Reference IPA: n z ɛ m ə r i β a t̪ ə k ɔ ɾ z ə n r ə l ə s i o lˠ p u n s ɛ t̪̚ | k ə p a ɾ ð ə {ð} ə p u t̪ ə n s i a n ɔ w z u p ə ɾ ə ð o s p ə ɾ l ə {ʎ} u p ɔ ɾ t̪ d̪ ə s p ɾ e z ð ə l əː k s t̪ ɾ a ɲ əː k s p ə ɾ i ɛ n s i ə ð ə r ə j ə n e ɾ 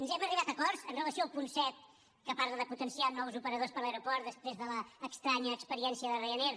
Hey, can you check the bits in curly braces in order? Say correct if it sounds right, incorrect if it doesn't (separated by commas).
correct, incorrect